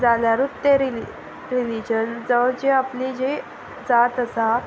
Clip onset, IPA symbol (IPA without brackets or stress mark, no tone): d͡z